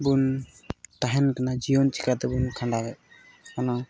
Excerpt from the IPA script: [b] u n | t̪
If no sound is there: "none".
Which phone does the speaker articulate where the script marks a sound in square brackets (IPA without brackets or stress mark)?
b